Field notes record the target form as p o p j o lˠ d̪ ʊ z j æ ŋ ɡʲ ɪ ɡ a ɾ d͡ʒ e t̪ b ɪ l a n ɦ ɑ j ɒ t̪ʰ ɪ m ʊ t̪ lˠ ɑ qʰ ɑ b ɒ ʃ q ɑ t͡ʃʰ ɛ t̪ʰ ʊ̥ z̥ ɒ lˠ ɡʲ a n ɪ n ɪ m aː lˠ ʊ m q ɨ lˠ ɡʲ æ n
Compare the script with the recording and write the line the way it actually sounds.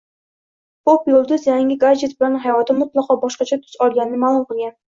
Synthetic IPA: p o p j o lˠ d̪ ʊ z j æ ŋ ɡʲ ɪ ɡ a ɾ d͡ʒ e t̪ b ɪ l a n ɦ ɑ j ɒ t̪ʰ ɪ m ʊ t̪ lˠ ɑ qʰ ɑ b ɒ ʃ q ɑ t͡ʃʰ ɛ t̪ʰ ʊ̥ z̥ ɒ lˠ ɡʲ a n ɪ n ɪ m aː lˠ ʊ m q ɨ lˠ ɡʲ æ n